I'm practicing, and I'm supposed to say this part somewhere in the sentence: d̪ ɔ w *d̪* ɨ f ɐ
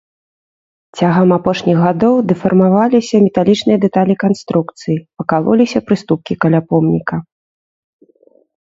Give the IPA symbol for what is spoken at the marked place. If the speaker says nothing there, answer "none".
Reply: d̪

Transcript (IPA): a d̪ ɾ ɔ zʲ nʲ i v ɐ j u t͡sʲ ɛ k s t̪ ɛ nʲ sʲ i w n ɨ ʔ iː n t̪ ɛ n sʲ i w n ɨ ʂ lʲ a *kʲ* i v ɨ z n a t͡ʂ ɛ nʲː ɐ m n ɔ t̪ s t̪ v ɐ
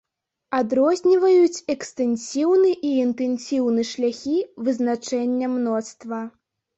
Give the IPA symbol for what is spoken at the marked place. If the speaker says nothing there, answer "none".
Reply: xʲ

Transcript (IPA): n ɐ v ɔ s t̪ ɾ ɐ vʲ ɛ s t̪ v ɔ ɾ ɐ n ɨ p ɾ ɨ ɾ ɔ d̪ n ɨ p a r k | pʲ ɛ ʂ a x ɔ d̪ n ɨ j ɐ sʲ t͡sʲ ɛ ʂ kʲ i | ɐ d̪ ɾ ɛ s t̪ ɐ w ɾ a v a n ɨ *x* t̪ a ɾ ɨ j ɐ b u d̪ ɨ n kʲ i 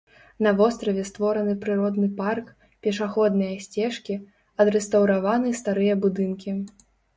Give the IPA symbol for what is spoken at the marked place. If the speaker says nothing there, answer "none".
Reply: s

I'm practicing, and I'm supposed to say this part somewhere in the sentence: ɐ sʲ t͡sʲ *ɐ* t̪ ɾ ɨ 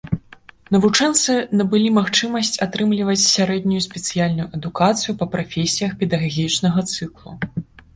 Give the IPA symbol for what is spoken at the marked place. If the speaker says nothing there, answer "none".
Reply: a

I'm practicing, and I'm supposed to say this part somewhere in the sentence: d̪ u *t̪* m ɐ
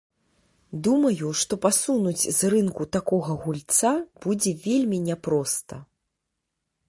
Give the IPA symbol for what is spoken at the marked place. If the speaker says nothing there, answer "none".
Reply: none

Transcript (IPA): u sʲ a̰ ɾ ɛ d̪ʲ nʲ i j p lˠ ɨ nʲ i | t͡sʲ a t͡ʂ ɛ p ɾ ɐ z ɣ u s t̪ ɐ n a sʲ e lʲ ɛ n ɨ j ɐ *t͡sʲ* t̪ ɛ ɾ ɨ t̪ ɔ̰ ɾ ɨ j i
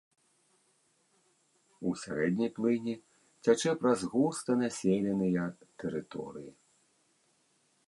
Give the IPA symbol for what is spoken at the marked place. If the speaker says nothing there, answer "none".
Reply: none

